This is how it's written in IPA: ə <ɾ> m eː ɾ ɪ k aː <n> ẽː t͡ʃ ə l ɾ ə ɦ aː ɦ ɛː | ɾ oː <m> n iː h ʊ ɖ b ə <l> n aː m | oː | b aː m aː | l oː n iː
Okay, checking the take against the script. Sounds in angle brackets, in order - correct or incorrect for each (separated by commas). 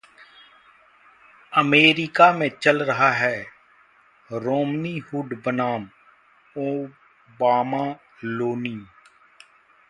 incorrect, incorrect, correct, incorrect